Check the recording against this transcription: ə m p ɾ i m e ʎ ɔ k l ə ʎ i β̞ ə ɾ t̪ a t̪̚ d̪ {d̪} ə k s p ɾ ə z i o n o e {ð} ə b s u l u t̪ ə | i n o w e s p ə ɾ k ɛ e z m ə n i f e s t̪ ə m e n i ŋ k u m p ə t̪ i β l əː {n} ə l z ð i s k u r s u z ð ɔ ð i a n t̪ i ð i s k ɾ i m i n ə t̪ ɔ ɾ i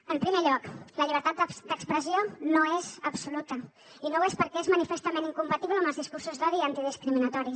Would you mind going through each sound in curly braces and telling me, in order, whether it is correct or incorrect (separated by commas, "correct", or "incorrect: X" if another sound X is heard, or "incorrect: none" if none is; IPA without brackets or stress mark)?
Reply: correct, incorrect: z, incorrect: m